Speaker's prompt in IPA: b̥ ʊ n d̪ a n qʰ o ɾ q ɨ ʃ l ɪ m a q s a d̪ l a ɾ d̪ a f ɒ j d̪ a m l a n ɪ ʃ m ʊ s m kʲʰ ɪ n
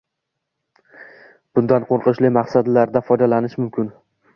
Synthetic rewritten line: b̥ ʊ n d̪ a n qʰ o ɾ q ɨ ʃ l ɪ m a q s a d̪ l a ɾ d̪ a f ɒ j d̪ a l a n ɪ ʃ m ʊ m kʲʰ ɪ n